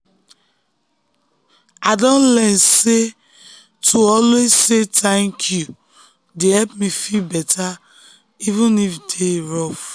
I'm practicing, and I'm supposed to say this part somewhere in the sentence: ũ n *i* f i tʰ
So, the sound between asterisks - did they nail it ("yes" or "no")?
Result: yes